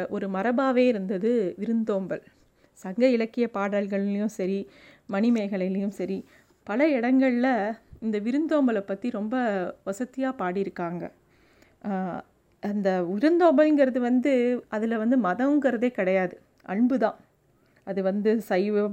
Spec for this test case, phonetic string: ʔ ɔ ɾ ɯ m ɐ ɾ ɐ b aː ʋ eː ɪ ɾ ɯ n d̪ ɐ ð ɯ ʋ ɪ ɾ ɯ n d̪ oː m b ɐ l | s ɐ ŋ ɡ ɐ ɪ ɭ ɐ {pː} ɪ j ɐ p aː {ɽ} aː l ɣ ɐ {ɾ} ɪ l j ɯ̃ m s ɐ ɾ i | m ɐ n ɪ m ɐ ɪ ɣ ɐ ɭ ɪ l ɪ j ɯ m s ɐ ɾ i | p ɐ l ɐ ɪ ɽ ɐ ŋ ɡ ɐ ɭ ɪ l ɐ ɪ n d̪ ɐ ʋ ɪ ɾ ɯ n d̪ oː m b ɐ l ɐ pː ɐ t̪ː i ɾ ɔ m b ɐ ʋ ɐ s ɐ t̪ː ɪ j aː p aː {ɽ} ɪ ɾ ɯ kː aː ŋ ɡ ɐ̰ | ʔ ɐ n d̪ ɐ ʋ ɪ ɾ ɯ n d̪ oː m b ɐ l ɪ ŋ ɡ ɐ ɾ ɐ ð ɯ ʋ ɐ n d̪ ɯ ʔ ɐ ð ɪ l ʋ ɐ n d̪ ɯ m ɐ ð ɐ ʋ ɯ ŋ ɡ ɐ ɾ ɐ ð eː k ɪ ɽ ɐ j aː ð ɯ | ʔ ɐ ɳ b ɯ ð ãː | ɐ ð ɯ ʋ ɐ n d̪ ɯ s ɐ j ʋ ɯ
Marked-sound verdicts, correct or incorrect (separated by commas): incorrect, correct, incorrect, correct